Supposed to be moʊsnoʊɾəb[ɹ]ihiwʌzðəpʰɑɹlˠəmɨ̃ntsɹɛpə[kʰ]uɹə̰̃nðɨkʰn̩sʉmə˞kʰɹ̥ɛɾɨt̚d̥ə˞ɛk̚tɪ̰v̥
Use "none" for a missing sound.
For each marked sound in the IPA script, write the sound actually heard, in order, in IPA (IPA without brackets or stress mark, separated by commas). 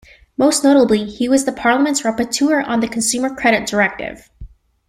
l, tʰ